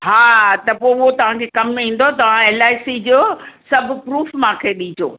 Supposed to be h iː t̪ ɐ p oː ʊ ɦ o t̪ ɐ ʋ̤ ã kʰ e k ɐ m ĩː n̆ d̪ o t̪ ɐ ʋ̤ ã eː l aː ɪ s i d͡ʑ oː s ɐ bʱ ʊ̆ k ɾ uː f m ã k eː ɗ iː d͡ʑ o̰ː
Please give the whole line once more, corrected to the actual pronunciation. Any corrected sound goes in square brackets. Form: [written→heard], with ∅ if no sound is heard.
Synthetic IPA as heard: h [iː→aː] t̪ ɐ p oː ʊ ɦ o t̪ ɐ ʋ̤ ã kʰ e k ɐ m ĩː n̆ d̪ o t̪ ɐ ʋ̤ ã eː l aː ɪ s i d͡ʑ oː s ɐ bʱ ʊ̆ [k→p] ɾ uː f m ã [k→kʰ] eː ɗ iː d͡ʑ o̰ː